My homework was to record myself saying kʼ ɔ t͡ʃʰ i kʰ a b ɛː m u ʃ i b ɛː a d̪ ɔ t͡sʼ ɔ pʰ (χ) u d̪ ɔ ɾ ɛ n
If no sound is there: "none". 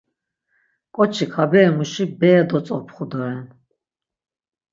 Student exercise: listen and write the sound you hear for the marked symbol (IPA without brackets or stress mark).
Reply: χ